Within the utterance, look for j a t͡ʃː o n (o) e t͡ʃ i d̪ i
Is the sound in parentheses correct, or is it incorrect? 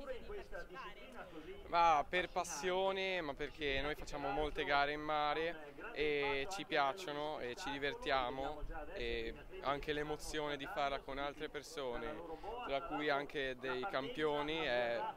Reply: correct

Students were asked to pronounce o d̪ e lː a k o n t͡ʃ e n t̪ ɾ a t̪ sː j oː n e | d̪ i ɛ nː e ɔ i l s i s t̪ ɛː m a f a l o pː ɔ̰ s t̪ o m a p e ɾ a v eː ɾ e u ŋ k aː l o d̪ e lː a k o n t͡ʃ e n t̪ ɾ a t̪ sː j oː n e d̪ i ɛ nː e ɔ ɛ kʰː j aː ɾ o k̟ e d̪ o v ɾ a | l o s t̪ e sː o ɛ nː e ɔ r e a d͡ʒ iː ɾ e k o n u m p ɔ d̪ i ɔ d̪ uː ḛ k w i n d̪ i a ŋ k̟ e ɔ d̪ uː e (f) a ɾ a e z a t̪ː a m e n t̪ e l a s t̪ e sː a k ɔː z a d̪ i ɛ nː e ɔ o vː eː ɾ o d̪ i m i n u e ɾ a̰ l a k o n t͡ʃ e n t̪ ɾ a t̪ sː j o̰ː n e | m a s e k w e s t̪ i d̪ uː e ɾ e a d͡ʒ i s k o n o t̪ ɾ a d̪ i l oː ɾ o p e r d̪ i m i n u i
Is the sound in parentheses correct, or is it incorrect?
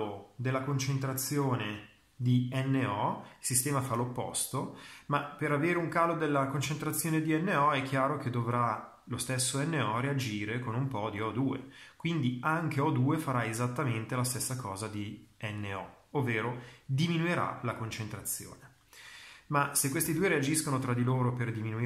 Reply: correct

